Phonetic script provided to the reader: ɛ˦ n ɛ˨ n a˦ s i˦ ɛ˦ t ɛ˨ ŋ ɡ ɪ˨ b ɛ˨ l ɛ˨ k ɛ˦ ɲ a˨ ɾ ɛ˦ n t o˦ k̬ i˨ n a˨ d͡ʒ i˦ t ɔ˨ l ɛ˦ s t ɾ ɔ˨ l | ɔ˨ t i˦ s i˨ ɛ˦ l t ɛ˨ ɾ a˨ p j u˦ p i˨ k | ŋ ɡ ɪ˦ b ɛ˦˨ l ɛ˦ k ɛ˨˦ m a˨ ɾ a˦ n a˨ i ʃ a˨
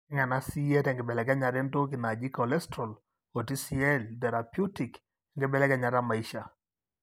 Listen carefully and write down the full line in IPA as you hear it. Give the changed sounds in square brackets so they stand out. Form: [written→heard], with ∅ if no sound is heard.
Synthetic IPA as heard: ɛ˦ [n→ŋ] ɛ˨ n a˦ s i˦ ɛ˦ t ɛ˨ ŋ ɡ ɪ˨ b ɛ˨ l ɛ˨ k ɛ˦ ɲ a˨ ɾ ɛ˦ n t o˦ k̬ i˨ n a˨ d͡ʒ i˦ [t→k] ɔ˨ l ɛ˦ s t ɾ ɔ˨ l | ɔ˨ t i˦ s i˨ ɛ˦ l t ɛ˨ ɾ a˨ p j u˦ [p→t] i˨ k | ŋ ɡ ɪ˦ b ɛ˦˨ l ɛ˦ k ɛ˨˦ [m→ɲ] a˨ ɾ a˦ [n→m] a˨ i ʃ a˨

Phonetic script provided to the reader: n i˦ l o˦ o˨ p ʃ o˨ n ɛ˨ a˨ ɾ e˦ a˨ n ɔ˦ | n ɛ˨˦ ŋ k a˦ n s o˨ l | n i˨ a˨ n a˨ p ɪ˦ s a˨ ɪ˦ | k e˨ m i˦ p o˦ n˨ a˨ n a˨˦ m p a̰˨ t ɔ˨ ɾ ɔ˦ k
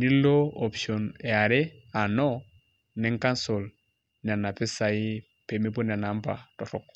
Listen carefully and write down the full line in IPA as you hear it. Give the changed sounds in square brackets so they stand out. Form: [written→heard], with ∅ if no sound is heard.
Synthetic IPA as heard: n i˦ l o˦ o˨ p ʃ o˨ n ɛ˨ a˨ ɾ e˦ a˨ n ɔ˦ | n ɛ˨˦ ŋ k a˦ n s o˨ l | n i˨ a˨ n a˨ p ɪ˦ s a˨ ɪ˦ | [k→p] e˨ m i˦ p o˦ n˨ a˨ n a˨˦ m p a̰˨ t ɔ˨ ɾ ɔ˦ k

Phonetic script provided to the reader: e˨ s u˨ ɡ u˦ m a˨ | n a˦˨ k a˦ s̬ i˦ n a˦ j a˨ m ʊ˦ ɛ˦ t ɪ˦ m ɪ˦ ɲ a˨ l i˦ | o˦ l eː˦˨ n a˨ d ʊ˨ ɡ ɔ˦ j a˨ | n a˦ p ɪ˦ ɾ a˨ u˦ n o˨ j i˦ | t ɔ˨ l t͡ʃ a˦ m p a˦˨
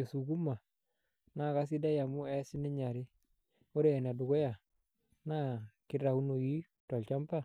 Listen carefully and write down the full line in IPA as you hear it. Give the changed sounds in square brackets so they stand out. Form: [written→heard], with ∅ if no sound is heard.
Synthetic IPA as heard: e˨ s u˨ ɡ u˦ m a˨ | n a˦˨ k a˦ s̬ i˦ [n→d] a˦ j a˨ m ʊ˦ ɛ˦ [t→s] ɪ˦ [m→n] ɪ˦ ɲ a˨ [l→ɾ] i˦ | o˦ [l→ɾ] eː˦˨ n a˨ d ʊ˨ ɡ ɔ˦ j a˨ | n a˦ [p→k] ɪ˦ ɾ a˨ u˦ n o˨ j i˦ | t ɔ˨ l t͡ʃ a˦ m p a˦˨

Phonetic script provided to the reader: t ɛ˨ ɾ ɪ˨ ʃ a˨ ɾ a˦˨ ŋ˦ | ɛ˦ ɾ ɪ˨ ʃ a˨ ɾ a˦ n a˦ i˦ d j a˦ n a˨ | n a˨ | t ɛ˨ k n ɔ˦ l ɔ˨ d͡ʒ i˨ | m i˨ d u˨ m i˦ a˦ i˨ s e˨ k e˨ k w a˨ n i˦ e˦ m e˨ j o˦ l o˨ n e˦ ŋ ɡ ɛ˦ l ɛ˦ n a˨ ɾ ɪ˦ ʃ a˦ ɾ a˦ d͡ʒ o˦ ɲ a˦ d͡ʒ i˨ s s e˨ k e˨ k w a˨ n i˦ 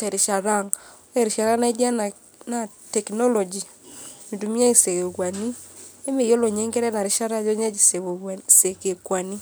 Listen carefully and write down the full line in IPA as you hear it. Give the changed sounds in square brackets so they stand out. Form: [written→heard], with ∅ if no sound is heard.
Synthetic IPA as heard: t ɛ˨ ɾ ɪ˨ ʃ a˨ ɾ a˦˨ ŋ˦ | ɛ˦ ɾ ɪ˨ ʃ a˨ ɾ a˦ n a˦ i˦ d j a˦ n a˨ | n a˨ | t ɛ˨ k n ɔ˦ l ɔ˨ d͡ʒ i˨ | m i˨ d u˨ m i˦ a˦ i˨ s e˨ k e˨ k w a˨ n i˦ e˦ m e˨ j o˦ l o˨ [n→ɲ] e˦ ŋ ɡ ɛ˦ [l→ɾ] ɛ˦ n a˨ ɾ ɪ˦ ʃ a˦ ɾ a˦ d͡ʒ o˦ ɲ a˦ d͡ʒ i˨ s s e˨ k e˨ k w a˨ n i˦

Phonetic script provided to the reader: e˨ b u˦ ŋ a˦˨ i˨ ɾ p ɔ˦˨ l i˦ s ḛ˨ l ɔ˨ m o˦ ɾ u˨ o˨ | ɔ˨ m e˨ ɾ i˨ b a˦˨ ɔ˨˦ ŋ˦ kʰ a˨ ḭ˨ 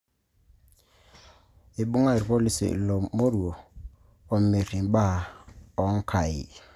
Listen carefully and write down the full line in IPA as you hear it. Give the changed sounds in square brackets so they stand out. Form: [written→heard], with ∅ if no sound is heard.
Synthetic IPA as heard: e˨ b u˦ ŋ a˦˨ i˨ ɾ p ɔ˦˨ l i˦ s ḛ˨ l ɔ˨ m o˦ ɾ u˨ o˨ | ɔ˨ m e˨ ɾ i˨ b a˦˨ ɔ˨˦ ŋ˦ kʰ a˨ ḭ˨

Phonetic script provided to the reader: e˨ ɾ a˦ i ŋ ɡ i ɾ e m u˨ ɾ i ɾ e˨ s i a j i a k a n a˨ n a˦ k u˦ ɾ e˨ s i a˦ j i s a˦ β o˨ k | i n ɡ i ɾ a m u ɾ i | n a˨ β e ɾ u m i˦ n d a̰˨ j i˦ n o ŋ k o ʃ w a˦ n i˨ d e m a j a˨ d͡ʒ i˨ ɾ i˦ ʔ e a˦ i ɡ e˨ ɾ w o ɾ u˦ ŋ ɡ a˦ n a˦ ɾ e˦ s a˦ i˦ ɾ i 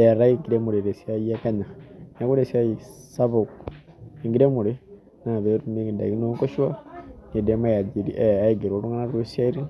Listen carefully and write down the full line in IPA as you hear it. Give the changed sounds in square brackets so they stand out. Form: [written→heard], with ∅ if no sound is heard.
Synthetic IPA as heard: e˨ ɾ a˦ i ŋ ɡ i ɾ e m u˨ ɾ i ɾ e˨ s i a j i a k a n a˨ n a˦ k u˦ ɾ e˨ s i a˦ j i s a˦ β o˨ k | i [n→ŋ] ɡ i ɾ [a→e] m u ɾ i | n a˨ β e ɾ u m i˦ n d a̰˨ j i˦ n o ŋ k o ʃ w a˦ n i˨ d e m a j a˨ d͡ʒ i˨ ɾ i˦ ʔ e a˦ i ɡ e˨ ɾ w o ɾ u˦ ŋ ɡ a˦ n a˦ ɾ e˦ s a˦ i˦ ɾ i

